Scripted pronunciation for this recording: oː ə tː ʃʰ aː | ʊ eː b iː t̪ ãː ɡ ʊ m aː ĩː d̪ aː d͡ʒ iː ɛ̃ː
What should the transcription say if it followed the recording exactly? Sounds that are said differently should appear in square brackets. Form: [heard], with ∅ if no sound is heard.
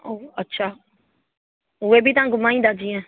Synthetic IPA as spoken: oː ə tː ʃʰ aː | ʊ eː b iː t̪ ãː ɡ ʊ m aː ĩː d̪ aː d͡ʒ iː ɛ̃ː